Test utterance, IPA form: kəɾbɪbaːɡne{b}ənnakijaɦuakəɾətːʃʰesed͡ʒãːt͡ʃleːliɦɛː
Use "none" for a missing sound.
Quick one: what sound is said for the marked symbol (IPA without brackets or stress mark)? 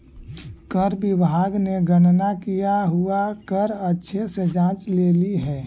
ɡ